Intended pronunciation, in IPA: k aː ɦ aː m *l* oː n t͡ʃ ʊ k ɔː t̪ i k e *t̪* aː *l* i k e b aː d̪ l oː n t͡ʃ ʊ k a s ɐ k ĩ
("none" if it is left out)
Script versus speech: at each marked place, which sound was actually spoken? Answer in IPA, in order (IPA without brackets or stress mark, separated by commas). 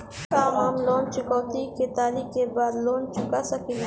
l, t̪, l